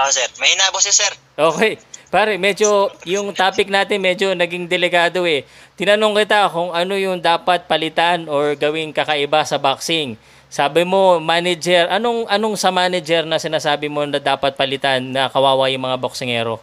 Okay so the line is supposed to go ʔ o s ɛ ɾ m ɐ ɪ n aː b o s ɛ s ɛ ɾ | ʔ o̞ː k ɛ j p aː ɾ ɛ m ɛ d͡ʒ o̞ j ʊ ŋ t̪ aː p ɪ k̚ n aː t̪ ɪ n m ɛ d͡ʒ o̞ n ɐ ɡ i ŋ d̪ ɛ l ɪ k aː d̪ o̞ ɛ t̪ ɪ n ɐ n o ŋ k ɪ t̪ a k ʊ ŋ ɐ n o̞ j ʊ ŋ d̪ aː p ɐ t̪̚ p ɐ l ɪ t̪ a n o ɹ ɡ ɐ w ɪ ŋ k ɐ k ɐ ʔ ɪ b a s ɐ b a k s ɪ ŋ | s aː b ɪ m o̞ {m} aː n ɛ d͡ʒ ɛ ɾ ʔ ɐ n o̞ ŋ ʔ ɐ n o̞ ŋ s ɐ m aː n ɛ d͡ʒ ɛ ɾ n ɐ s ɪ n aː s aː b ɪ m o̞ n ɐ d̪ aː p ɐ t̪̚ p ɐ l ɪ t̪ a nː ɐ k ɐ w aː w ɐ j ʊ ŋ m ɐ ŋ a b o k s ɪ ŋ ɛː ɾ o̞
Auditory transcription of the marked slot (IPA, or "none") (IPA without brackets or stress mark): m